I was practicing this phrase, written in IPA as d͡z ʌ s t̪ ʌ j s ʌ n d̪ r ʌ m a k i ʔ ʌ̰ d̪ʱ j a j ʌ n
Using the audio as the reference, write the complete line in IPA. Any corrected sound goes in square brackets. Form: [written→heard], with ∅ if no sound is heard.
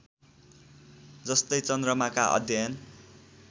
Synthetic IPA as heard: d͡z ʌ s t̪ ʌ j [s→t͡s] ʌ n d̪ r ʌ m a k [i→a] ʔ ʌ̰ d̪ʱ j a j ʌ n